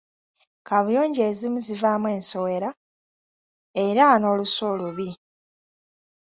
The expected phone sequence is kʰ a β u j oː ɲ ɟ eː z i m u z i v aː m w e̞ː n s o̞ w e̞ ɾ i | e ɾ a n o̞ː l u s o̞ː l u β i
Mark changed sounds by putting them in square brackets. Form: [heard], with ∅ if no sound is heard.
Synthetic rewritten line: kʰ a β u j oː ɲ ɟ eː z i m u z i v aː m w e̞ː n s o̞ w e̞ ɾ [a] | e ɾ a n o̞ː l u s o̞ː l u β i